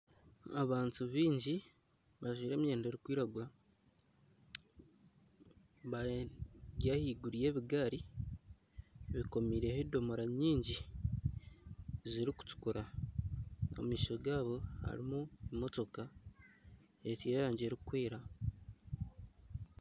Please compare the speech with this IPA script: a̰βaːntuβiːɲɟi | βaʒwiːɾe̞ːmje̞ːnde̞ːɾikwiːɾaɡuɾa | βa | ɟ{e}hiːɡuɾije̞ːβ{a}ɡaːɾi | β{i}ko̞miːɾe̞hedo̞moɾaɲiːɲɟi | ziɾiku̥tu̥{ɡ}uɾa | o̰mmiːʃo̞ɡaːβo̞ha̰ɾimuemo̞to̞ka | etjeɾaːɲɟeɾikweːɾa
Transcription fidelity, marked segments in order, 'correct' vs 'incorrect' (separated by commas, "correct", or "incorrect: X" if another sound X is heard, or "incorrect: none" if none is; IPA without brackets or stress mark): incorrect: a, incorrect: i, correct, incorrect: k